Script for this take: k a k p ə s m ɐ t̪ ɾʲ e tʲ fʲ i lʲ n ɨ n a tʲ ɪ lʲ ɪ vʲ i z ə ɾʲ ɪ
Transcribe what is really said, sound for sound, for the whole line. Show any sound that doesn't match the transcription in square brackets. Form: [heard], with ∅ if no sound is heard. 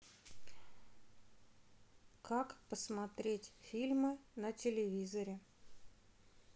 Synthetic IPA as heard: k a k p ə s m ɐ t̪ ɾʲ e tʲ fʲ i lʲ [m] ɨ n [ə] tʲ ɪ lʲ ɪ vʲ i z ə ɾʲ ɪ